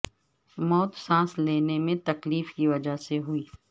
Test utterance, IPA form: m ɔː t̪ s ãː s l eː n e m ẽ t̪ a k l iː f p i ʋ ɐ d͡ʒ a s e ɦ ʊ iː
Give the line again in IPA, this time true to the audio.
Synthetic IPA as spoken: m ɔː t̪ s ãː s l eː n e m ẽ t̪ ɐ k l iː f k i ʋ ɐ d͡ʒ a s e ɦ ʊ iː